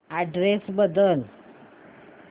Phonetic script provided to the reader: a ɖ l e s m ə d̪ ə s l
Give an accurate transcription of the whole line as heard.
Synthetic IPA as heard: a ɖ ɾ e s b ə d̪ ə l